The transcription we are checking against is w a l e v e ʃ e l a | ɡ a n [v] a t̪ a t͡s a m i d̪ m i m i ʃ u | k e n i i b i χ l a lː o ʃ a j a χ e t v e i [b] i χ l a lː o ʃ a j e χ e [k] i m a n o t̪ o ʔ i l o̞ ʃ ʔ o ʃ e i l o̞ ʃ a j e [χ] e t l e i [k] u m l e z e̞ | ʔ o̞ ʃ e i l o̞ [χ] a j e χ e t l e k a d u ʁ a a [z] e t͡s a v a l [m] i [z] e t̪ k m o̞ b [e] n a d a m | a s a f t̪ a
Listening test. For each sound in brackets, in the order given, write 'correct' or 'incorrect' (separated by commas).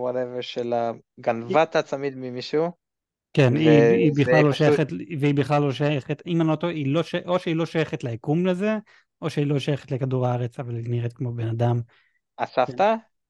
correct, correct, incorrect, correct, correct, incorrect, incorrect, incorrect, incorrect, correct